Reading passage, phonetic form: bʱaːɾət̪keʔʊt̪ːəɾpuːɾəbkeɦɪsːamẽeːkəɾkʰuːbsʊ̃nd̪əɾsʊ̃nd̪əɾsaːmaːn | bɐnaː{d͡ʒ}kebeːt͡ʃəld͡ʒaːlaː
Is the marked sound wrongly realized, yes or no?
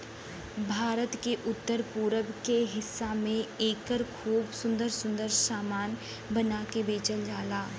yes